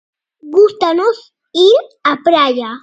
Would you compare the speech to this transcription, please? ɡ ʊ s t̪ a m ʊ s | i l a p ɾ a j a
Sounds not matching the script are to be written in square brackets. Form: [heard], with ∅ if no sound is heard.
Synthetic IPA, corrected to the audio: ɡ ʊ s t̪ a [n] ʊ s | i [ɾ] a p ɾ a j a